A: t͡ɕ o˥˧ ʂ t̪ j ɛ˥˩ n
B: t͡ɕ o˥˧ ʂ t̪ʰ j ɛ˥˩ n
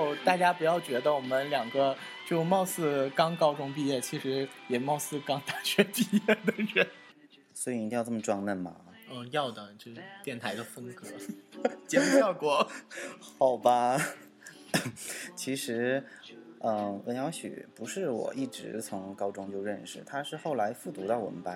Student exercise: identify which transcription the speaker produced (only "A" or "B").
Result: A